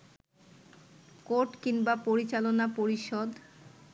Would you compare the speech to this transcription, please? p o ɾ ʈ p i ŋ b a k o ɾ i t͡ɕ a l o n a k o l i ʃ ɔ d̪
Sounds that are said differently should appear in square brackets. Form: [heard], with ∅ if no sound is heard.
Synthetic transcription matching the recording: [k] o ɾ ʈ [k] i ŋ b a [p] o ɾ i t͡ɕ a l o n a [p] o [ɾ] i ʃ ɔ d̪